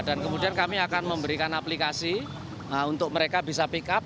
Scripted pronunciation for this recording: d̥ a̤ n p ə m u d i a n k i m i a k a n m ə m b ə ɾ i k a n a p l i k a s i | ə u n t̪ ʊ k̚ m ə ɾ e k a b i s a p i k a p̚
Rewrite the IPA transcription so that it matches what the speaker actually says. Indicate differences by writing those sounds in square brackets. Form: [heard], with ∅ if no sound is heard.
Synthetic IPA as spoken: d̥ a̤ n [k] ə m u d i a n k [a] m i a k a n m ə m b ə ɾ i k a n a p l i k a s i | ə u n t̪ ʊ k̚ m ə ɾ e k a b i s a p i k a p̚